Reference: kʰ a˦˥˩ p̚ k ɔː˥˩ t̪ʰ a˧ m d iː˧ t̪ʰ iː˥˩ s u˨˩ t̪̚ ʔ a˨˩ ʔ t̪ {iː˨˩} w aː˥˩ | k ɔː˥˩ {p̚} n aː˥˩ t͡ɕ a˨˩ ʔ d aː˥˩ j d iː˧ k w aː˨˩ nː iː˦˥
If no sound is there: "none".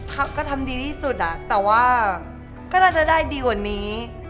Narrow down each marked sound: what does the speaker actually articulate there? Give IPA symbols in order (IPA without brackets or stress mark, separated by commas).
ɛː˨˩, none